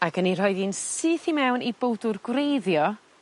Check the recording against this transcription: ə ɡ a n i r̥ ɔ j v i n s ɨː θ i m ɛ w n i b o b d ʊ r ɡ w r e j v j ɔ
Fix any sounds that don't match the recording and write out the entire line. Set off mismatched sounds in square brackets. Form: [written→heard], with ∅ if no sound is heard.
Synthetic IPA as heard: [ə→a] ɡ [a→ə] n i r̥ ɔ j [v→ð] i n s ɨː θ i m ɛ w n i b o [b→w] d ʊ r ɡ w r e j [v→ð] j ɔ